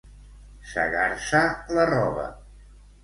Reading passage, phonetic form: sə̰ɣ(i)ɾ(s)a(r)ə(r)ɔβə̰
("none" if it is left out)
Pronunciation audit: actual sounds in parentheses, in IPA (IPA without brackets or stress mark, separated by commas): a, s, l, r